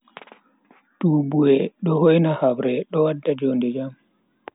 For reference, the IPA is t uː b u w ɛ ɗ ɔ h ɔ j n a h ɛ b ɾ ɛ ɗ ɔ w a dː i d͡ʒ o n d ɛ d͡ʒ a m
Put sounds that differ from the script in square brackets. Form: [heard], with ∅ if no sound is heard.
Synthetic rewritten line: t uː b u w ɛ ɗ ɔ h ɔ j n a h [a] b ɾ ɛ ɗ ɔ w a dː [a] d͡ʒ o n d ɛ d͡ʒ a m